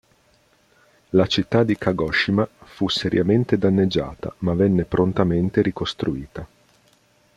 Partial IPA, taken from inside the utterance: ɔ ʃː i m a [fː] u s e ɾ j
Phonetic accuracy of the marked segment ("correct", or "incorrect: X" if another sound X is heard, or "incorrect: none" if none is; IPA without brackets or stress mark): incorrect: f